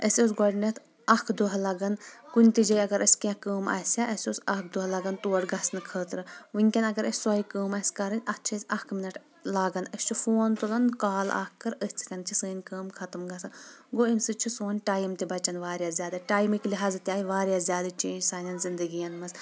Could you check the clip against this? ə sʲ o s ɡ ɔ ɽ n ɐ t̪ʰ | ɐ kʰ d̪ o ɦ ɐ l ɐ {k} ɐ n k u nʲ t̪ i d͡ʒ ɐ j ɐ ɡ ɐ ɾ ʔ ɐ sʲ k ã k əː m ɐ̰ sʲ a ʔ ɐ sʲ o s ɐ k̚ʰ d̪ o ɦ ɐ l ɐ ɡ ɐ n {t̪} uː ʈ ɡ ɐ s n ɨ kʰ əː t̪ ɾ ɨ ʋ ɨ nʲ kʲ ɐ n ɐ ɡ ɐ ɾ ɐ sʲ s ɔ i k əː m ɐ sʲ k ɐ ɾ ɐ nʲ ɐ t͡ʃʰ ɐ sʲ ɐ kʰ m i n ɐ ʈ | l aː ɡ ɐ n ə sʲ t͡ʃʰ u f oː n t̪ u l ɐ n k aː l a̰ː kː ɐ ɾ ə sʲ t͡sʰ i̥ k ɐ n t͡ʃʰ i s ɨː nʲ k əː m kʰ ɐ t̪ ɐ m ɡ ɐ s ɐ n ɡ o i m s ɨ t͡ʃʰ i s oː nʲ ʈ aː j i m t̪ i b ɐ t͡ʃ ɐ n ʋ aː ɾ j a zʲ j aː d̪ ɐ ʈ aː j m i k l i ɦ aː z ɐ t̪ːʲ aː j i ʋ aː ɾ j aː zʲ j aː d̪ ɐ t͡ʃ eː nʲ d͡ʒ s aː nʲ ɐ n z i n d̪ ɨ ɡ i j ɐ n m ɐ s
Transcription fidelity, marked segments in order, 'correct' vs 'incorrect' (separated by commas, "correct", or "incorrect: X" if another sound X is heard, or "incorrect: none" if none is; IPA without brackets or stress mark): incorrect: ɡ, correct